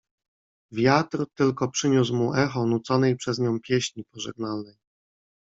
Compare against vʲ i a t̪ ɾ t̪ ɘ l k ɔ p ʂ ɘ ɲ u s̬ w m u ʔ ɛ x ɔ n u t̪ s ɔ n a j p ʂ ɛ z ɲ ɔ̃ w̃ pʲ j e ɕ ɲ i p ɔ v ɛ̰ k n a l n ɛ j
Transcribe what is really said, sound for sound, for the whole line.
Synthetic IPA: vʲ j a t̪ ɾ t̪ ɘ l k ɔ p ʂ ɘ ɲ u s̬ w m u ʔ ɛ x ɔ n u t̪ s ɔ n ɛ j p ʂ ɛ z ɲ ɔ̃ w̃ pʲ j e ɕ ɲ i p ɔ ʐ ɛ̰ ɡ n a l n ɛ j